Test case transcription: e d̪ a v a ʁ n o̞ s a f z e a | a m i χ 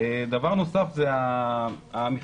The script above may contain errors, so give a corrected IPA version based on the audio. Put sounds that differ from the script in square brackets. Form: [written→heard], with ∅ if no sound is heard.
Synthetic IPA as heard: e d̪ a v a ʁ n o̞ s a f z e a | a m i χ